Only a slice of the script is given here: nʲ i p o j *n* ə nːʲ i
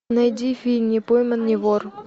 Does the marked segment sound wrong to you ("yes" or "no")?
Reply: yes